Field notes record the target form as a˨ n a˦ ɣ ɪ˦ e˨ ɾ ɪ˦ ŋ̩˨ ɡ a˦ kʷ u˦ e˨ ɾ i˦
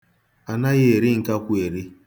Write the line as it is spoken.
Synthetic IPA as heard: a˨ n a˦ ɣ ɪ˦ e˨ ɾ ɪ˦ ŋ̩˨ k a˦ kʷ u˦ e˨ ɾ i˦